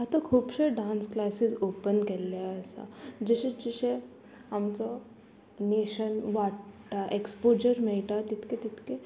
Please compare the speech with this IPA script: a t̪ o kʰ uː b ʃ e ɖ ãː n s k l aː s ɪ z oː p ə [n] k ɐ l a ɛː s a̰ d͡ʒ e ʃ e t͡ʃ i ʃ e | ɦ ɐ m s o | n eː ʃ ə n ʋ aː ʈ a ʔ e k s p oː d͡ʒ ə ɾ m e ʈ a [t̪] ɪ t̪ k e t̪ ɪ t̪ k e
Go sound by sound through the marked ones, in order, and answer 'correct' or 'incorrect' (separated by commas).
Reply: correct, correct